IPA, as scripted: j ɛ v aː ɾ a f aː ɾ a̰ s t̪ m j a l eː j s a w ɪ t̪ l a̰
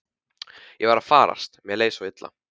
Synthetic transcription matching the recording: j ɛ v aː ɾ a f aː ɾ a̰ s t̪ m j ɛ l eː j s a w ɪ t̪ l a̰